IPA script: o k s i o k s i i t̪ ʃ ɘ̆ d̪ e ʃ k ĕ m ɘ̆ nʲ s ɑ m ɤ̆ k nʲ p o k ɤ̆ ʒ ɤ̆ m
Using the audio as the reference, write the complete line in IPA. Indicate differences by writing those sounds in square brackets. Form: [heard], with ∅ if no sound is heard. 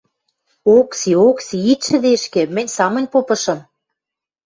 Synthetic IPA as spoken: o k s i o k s i i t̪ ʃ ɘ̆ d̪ e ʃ k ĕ m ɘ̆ nʲ s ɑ m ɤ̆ [∅] nʲ p o [p] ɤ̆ [ʃ] ɤ̆ m